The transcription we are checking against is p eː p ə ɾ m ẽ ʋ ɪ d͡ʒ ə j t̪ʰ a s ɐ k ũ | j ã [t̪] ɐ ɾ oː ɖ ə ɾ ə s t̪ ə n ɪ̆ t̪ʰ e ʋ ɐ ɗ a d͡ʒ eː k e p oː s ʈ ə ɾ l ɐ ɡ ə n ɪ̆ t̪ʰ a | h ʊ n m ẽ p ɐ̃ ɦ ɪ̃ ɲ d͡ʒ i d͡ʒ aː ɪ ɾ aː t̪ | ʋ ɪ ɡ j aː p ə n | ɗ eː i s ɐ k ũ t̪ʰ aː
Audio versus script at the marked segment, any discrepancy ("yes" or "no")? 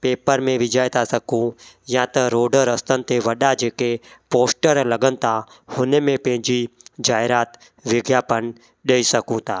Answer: no